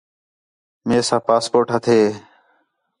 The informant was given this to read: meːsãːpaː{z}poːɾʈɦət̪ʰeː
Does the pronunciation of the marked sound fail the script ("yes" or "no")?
yes